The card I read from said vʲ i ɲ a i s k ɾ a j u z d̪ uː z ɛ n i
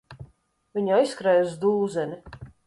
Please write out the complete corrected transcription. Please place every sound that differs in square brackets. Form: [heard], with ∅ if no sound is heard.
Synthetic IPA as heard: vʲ i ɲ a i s k ɾ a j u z d̪ uː z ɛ n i